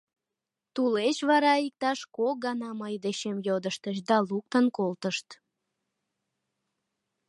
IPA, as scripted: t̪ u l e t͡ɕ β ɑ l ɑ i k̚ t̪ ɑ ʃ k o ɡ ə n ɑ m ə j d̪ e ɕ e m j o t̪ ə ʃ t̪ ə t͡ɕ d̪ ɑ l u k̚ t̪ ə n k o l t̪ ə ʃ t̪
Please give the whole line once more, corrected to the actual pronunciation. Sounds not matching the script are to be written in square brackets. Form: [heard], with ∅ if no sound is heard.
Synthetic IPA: t̪ u l e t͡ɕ β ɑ [ɾ] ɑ i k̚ t̪ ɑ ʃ k o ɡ [ɑ] n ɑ m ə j d̪ e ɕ e m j o [d̪] ə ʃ t̪ ə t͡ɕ d̪ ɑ l u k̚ t̪ ə n k o l t̪ ə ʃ t̪